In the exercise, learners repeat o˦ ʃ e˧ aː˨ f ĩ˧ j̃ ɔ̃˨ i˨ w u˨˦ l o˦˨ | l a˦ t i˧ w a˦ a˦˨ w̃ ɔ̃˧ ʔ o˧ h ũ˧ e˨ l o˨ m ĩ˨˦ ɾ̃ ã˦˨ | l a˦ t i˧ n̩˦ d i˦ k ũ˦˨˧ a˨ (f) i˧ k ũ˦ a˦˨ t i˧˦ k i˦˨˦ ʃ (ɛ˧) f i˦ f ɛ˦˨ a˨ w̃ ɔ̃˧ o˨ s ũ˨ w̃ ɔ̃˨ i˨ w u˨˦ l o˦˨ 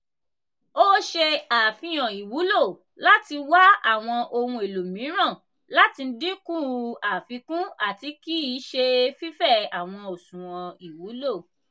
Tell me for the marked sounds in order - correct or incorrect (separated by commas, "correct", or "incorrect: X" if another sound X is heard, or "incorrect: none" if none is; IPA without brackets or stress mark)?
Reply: correct, incorrect: e˧